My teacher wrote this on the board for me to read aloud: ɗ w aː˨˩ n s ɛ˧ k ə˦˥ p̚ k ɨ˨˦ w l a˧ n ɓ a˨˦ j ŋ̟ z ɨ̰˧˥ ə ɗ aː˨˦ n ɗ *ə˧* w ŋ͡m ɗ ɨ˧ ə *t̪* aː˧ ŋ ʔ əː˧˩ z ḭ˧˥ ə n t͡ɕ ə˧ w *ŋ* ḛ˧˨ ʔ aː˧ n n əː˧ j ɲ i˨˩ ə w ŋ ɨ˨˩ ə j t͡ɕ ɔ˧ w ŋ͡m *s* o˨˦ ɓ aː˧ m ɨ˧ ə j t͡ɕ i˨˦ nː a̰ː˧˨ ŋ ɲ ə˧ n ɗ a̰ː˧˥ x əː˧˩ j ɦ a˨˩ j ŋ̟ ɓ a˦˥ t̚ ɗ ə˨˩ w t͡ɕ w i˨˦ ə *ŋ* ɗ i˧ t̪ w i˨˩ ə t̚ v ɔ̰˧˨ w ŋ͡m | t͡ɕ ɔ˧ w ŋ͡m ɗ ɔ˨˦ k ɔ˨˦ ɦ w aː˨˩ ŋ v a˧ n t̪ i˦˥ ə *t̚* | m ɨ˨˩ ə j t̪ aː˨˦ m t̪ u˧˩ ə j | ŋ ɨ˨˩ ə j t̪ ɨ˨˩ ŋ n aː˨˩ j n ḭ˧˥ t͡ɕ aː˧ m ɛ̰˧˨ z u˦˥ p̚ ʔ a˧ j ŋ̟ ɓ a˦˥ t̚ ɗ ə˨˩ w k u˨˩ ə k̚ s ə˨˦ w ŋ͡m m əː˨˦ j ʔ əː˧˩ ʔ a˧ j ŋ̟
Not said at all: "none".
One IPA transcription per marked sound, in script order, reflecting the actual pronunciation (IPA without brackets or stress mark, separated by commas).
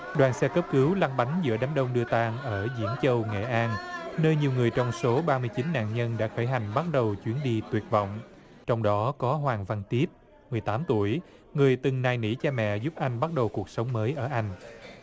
ə˧, t̪, ŋ, s, n, p̚